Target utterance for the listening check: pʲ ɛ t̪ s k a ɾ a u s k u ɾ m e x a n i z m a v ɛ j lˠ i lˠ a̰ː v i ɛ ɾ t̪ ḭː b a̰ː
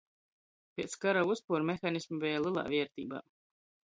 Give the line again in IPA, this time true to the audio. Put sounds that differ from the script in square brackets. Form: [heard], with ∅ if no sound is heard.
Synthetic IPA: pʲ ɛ t̪ s k a ɾ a u s [p] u ɾ m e x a n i [s] m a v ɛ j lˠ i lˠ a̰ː v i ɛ ɾ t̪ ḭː b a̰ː